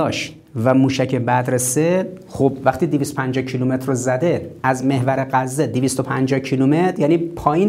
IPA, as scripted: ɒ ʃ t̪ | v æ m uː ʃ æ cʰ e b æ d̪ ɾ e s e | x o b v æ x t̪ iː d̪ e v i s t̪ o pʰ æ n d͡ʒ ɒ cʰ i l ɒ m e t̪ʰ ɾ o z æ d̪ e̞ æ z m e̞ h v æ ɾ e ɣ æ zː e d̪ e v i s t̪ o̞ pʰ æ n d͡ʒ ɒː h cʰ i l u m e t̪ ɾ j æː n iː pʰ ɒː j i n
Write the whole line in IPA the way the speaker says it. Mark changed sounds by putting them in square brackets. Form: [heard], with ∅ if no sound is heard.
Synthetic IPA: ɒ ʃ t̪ | v æ m uː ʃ æ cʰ e b æ d̪ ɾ e s e | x o b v æ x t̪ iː d̪ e v i s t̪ o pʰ æ n d͡ʒ ɒ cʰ i l [u] m e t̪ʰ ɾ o z æ d̪ e̞ æ z m e̞ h v æ ɾ e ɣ æ zː e d̪ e v i s t̪ o̞ pʰ æ n d͡ʒ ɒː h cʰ i l u m e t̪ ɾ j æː n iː pʰ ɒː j i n